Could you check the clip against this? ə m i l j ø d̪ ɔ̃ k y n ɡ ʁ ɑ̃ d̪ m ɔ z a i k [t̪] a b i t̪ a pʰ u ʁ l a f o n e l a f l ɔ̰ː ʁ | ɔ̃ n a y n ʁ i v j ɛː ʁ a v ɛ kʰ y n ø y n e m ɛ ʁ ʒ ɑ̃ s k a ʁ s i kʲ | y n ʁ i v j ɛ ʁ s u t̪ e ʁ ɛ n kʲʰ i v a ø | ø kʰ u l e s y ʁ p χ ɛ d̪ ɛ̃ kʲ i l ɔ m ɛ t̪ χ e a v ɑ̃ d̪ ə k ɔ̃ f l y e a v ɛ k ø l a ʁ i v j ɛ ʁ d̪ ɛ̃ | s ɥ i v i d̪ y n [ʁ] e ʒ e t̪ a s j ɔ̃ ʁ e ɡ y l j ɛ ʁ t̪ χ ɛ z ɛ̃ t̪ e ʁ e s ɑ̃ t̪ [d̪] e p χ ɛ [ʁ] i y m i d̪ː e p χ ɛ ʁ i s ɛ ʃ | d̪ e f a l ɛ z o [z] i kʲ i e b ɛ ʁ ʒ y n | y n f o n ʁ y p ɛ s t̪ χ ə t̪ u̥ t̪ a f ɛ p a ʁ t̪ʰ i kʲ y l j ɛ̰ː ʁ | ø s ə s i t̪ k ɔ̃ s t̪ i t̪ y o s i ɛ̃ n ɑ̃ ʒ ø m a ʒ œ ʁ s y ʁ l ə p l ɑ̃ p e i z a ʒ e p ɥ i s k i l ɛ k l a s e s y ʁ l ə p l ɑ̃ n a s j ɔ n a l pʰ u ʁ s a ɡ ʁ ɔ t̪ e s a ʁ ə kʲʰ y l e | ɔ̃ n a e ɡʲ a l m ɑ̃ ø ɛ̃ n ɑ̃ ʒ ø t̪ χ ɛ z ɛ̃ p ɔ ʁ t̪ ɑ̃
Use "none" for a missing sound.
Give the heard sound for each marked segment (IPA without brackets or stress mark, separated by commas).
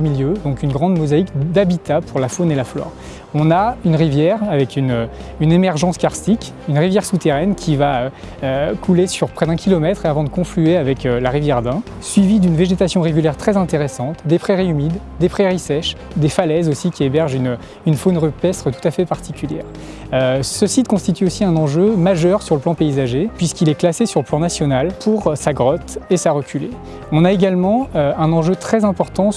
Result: d̪, v, d̪, ʁ, s